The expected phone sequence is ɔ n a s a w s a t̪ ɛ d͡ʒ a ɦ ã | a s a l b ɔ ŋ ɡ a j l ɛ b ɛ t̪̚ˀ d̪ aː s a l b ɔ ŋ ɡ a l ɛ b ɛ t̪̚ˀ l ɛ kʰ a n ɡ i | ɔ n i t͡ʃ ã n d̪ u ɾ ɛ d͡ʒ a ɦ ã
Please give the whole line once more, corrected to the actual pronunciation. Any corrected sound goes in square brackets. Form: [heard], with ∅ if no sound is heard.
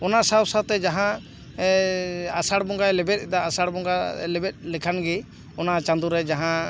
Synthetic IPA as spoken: ɔ n a s a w s a t̪ ɛ d͡ʒ a ɦ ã | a s a [ɽ] b ɔ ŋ ɡ a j l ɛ b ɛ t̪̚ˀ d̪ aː s a [ɽ] b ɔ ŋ ɡ a l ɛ b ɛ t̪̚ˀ l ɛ kʰ a n ɡ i | ɔ n [a] t͡ʃ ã n d̪ u ɾ ɛ d͡ʒ a ɦ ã